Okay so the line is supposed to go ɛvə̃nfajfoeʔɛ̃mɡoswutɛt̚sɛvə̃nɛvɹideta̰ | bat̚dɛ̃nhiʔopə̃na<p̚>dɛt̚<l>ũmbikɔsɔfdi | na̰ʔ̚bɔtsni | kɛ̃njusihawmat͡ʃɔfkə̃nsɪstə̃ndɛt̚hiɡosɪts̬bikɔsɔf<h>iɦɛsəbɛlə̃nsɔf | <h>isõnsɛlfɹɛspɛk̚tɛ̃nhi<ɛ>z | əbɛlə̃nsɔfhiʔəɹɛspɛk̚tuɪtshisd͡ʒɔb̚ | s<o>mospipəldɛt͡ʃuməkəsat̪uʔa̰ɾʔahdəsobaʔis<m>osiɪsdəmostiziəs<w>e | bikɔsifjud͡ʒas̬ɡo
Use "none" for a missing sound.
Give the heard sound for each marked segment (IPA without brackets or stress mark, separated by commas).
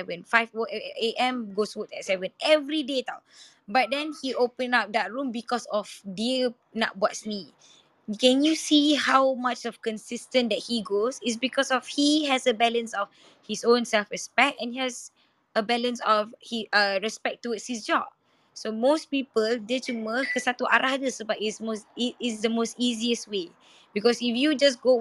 p̚, ɹ, h, h, ɛ, o, m, w